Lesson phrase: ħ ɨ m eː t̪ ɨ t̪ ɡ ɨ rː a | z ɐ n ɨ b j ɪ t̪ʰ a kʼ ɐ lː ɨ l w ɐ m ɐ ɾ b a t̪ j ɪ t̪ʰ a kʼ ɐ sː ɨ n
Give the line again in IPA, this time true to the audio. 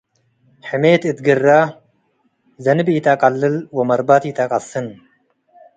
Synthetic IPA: ħ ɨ m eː t̪ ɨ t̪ ɡ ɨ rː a | z ɐ n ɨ b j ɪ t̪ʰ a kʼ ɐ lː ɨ l w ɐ m ɐ ɾ b a t̪ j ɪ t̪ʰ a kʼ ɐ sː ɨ n